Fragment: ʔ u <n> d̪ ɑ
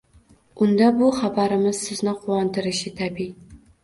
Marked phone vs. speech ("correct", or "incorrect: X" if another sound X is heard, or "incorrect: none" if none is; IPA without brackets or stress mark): correct